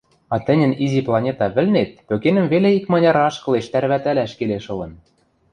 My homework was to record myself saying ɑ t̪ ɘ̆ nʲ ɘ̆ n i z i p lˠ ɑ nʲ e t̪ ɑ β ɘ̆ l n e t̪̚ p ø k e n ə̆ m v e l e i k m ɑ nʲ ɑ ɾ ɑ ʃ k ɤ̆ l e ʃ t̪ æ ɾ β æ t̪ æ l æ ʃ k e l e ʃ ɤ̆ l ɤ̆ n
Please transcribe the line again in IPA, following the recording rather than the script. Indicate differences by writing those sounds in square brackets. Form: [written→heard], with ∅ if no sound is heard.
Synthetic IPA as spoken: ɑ t̪ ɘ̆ nʲ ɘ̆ n i z i p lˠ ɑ nʲ e t̪ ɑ β ɘ̆ l n e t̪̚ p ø k e n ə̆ m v e l e i k m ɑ nʲ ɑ ɾ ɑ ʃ k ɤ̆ l e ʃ t̪ æ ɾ β æ t̪ æ l æ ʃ k e l e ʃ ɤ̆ l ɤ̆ n